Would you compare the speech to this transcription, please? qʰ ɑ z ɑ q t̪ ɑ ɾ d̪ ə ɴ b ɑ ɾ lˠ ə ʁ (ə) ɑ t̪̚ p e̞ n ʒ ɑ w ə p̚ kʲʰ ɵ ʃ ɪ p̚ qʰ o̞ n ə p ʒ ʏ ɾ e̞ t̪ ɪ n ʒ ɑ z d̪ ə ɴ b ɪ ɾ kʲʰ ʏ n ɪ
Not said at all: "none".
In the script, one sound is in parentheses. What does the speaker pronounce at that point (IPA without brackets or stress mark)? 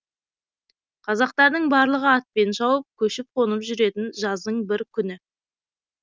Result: ə